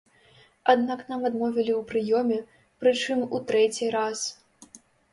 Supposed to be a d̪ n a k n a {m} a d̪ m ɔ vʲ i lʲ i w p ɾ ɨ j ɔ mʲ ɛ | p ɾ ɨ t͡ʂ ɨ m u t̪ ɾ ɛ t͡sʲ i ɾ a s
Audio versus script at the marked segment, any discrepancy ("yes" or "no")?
no